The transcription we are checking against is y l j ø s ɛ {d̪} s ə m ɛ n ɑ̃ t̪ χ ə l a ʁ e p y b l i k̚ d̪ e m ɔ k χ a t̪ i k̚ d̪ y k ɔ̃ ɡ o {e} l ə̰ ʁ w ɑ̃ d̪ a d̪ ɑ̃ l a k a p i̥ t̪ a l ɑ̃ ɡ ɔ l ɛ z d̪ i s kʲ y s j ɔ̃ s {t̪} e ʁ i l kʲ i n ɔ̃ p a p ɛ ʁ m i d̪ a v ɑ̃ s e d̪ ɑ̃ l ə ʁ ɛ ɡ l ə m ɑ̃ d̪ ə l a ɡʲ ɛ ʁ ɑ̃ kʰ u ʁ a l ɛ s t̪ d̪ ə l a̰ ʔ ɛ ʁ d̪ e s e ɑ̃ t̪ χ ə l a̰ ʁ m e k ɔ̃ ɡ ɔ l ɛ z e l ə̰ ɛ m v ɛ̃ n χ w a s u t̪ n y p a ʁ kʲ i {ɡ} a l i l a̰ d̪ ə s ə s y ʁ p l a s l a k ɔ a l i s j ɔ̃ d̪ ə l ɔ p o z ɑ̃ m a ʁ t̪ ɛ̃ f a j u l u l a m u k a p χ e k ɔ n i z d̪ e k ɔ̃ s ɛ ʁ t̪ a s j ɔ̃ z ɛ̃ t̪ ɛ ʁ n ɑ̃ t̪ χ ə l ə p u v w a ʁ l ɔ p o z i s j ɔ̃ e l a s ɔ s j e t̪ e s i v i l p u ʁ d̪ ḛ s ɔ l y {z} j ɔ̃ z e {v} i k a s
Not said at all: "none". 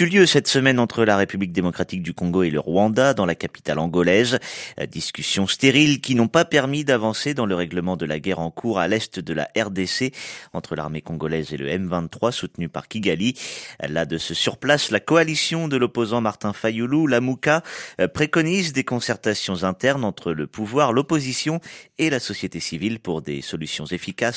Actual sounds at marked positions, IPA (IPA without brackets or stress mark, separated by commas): t̪, e, t̪, ɡ, s, f